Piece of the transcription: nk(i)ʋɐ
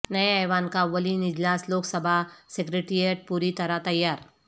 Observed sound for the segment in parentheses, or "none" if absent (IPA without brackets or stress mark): a